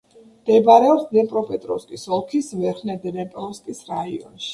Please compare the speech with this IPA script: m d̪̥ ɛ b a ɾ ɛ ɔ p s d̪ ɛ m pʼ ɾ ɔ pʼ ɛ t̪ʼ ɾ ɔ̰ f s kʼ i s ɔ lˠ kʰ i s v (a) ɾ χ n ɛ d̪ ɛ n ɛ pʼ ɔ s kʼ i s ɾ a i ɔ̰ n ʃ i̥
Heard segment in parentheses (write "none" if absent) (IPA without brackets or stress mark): ɛ